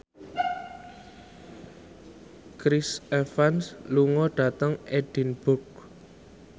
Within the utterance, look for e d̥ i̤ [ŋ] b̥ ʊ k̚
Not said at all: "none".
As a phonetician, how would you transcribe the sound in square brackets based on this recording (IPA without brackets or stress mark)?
n